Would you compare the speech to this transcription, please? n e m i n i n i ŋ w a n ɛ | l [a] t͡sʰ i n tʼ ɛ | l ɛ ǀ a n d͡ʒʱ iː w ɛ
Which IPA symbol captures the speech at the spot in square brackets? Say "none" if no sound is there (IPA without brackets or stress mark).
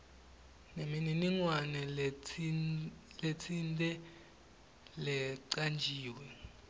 e